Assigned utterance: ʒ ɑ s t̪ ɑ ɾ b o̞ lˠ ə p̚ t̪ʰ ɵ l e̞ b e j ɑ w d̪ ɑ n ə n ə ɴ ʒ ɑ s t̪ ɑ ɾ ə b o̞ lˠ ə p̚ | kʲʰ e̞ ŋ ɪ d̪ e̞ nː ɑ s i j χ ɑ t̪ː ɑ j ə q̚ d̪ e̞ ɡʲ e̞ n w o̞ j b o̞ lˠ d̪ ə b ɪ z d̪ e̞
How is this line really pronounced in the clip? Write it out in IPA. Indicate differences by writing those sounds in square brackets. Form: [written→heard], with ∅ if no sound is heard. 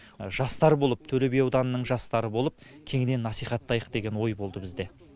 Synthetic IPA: ʒ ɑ s t̪ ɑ ɾ b o̞ lˠ ə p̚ t̪ʰ ɵ l e̞ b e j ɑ w d̪ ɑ n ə n ə ɴ ʒ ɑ s t̪ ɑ ɾ ə b o̞ lˠ ə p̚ | kʲʰ e̞ ŋ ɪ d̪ e̞ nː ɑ s i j χ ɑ t̪ː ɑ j ə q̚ d̪ e̞ ɡʲ e̞ n w o̞ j b o̞ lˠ d̪ ə b ɪ z d̪ e̞